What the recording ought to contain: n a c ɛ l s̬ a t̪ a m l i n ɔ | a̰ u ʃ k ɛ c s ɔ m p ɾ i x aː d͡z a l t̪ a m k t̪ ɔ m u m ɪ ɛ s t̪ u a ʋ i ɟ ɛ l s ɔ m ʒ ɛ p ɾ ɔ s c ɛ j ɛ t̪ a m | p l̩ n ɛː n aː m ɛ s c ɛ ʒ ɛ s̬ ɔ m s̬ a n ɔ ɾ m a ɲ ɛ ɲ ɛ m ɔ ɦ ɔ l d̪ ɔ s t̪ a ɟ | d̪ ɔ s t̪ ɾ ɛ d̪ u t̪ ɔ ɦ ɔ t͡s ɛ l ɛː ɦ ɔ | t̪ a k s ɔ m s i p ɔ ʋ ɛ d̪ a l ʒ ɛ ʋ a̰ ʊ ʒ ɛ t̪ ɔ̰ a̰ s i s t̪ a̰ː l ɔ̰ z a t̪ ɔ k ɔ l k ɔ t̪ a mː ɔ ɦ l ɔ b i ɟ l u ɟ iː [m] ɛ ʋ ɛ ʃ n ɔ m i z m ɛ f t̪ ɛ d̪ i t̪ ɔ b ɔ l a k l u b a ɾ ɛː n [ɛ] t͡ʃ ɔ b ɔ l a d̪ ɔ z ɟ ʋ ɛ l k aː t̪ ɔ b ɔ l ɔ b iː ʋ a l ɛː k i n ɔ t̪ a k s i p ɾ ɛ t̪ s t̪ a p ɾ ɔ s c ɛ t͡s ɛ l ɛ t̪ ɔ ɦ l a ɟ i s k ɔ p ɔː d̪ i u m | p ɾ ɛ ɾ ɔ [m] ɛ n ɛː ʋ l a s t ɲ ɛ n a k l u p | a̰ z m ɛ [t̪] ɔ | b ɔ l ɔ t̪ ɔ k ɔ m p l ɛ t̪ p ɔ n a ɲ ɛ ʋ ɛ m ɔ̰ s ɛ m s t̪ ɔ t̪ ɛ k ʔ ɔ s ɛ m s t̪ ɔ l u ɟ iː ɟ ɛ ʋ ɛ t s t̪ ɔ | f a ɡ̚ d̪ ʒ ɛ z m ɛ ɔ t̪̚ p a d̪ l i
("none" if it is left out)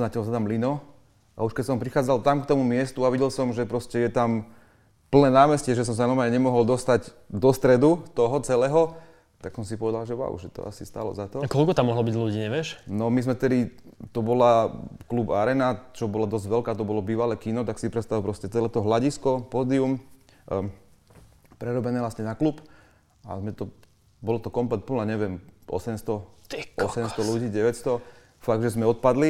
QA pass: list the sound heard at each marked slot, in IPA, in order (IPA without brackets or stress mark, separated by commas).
ɲ, a, b, t̪